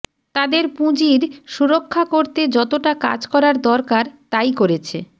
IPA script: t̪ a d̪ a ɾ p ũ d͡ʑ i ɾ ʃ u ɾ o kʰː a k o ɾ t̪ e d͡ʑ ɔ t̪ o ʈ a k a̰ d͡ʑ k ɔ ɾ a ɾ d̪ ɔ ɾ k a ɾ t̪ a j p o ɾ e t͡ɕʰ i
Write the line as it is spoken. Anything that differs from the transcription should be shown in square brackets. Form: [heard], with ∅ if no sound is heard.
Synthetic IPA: t̪ a d̪ [e] ɾ p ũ d͡ʑ i ɾ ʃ u ɾ o kʰː a k o ɾ t̪ e d͡ʑ ɔ t̪ o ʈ a k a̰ d͡ʑ k ɔ ɾ a ɾ d̪ ɔ ɾ k a ɾ t̪ a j [k] o ɾ e t͡ɕʰ [e]